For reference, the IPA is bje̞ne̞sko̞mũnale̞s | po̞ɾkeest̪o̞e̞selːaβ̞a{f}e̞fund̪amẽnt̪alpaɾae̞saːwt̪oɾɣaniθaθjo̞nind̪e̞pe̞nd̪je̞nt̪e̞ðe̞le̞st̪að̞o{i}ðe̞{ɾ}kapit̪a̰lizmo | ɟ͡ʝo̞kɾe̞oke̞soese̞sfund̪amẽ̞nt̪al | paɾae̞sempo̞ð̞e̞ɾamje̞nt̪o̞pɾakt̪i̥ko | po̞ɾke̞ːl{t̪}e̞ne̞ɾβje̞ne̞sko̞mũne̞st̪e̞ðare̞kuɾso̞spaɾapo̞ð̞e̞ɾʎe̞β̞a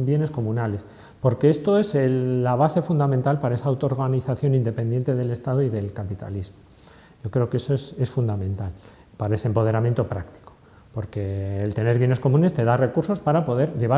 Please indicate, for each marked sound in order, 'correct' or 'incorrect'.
incorrect: s, correct, incorrect: l, correct

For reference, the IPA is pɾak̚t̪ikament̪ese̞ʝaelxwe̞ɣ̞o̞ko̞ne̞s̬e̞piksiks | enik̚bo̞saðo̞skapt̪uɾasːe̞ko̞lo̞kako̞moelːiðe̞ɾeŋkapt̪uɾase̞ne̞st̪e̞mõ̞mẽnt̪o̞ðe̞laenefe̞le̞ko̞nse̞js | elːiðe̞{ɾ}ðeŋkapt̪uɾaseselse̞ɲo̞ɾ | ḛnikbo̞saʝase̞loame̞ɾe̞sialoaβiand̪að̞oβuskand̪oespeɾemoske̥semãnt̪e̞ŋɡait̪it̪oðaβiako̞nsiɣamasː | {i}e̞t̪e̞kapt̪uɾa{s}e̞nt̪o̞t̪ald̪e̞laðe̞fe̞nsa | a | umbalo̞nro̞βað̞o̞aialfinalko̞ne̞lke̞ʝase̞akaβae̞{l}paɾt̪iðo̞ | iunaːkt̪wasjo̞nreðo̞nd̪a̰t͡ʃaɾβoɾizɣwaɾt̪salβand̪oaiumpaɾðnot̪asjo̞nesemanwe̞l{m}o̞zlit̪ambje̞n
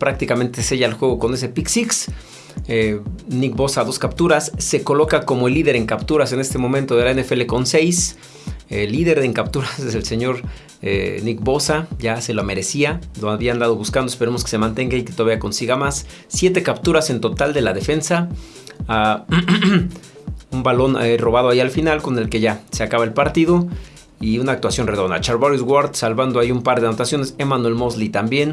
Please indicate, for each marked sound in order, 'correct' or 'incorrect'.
correct, incorrect: j, correct, correct, correct

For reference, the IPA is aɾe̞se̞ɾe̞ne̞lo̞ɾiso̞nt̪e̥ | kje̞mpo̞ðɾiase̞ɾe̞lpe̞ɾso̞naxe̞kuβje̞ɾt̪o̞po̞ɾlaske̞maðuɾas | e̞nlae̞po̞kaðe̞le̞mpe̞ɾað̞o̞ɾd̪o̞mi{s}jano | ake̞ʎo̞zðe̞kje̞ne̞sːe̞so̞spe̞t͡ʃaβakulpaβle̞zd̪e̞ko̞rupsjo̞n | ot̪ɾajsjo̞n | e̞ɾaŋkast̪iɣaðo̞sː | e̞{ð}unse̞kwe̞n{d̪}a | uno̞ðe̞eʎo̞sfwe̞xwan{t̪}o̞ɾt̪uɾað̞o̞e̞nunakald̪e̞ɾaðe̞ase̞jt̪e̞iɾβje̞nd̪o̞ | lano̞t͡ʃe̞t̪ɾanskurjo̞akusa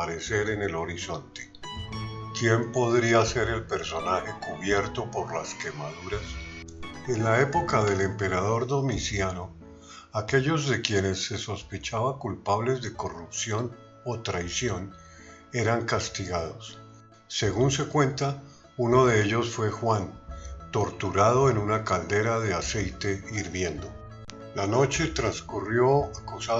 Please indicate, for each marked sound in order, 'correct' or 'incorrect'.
correct, incorrect: ɣ, incorrect: t̪, correct

